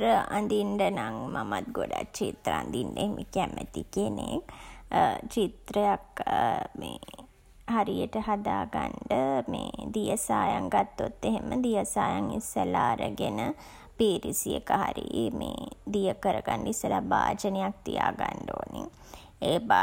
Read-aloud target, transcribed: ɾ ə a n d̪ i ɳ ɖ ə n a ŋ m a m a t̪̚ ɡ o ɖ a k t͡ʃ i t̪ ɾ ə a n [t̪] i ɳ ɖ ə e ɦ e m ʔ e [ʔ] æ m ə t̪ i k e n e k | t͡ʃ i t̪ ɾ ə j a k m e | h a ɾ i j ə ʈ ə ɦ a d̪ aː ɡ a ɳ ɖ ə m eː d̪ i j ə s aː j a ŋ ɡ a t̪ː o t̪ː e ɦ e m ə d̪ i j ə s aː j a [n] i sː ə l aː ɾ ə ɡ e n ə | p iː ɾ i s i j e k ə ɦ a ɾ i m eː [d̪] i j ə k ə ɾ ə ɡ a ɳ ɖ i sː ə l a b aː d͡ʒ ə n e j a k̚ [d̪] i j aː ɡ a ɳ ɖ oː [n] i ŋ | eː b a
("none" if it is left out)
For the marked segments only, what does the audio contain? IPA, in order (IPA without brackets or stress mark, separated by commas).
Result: d̪, k, ŋ, d̪, t̪, n